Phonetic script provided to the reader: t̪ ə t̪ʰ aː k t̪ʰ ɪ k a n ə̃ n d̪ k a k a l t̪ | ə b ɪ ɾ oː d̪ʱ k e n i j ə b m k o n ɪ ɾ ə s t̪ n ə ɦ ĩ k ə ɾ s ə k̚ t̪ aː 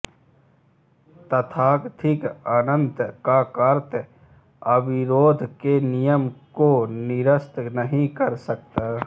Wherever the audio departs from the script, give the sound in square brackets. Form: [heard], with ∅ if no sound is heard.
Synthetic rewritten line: t̪ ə t̪ʰ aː k t̪ʰ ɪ k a n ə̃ n [t̪] k a k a [ɾ] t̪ | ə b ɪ ɾ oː d̪ʱ k e n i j ə [∅] m k o n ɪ ɾ ə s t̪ n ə ɦ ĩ k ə ɾ s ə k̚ t̪ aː